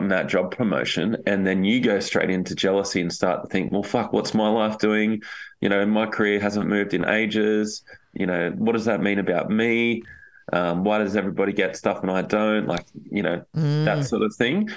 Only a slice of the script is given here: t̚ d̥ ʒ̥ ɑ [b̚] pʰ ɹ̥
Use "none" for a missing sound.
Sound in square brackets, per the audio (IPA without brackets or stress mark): b̚